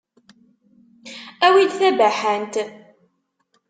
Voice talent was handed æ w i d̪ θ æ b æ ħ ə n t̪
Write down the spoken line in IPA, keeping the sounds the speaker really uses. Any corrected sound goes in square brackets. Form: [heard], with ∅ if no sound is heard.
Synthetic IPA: æ w i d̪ θ æ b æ ħ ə n t̪